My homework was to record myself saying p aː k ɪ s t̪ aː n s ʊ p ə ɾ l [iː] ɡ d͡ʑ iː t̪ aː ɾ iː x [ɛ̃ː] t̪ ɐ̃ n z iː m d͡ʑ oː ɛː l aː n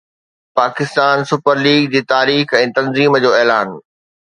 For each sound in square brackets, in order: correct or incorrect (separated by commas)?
correct, correct